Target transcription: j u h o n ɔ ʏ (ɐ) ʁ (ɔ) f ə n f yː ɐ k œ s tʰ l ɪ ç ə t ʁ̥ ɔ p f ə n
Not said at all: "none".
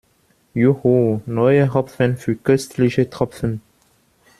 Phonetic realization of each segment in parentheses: ə, ɔ

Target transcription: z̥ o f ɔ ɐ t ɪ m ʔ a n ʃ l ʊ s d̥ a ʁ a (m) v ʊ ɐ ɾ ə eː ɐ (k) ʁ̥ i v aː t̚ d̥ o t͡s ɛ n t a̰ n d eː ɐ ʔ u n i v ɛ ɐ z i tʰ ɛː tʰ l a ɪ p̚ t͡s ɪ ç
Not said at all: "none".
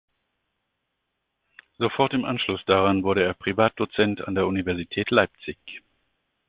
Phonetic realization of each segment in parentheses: n, p

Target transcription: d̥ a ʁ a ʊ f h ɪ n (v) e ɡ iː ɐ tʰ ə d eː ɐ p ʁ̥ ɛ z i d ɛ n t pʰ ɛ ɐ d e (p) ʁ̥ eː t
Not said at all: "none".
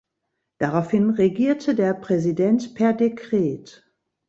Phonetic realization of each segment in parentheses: ʁ, k

